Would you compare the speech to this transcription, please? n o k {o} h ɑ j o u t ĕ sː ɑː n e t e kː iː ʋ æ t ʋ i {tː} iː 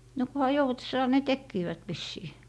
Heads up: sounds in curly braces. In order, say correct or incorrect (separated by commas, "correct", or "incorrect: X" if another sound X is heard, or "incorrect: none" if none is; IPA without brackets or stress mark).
incorrect: u, incorrect: sː